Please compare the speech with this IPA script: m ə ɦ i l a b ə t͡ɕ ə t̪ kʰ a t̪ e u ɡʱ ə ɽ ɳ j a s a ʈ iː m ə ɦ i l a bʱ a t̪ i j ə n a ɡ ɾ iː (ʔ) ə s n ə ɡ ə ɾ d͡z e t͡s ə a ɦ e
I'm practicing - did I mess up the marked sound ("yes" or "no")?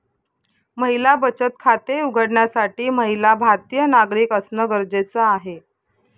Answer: yes